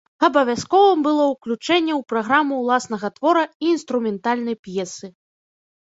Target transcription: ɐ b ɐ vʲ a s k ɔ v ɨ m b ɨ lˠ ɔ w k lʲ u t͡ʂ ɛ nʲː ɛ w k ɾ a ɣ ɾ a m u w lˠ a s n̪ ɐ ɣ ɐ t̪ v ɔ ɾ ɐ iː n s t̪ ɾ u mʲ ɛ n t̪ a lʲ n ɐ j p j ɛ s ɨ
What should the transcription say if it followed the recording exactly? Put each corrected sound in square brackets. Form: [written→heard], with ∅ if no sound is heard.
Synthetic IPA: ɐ b ɐ vʲ a s k ɔ v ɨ m b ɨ lˠ ɔ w k lʲ u t͡ʂ ɛ nʲː ɛ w [k→p] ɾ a ɣ ɾ a m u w lˠ a s n̪ ɐ ɣ ɐ t̪ v ɔ ɾ ɐ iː n s t̪ ɾ u mʲ ɛ n t̪ a lʲ n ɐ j p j ɛ s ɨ